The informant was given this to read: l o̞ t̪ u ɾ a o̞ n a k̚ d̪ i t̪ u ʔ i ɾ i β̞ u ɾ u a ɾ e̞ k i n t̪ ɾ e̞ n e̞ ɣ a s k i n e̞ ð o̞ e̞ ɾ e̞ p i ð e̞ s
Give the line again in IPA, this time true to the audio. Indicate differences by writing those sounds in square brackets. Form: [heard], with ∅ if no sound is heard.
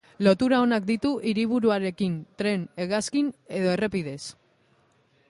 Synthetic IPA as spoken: l o̞ t̪ u ɾ a o̞ n a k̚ d̪ i t̪ u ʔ i ɾ i β̞ u ɾ u a ɾ e̞ k i n t̪ ɾ e̞ n e̞ ɣ a s k i n e̞ ð o̞ e̞ [r] e̞ p i ð e̞ s